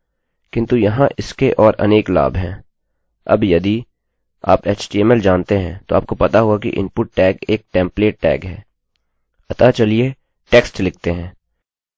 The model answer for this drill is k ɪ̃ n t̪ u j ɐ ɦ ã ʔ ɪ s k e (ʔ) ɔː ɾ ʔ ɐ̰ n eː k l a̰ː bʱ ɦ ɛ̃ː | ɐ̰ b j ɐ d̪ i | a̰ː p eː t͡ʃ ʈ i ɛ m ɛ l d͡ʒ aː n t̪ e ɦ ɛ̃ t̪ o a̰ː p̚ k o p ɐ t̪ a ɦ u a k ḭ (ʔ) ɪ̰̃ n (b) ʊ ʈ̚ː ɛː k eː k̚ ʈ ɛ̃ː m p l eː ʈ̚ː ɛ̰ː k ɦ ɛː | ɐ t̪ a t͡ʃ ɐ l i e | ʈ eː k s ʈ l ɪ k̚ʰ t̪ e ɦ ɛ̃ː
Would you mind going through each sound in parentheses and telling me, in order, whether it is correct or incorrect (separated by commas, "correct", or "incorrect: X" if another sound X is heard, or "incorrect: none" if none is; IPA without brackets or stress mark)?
correct, correct, incorrect: p